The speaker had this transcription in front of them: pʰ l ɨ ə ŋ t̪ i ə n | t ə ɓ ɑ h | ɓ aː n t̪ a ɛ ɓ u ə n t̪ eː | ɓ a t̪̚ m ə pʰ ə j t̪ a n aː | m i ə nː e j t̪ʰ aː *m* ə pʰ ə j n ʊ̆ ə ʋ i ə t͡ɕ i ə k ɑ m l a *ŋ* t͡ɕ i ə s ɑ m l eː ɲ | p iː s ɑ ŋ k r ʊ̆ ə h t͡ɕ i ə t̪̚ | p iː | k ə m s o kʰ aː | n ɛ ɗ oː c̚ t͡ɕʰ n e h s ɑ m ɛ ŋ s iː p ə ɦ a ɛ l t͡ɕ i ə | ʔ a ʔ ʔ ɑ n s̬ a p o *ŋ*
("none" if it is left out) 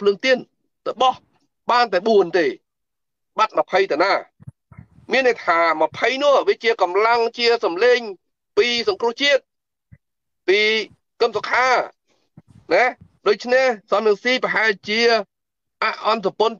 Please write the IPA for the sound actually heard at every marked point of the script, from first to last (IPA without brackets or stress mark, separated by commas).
m, ŋ, n